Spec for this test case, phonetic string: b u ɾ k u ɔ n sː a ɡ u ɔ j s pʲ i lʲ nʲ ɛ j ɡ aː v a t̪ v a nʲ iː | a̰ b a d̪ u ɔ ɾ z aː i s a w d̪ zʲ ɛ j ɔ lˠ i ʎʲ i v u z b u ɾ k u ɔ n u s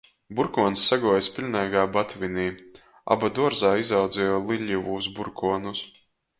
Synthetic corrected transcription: b u ɾ k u ɔ n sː a ɡ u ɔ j s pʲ i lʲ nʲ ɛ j ɡ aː b a t̪ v i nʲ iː | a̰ b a d̪ u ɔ ɾ z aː i z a w d̪ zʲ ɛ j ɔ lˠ i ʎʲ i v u z b u ɾ k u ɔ n u s